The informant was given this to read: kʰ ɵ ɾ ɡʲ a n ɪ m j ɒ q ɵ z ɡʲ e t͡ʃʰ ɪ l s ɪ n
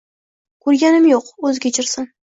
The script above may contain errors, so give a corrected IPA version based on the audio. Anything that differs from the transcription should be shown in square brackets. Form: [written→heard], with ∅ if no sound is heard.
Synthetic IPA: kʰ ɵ ɾ ɡʲ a n ɪ m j [ɒ→o] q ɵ z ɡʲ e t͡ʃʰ ɪ [l→ɾ] s ɪ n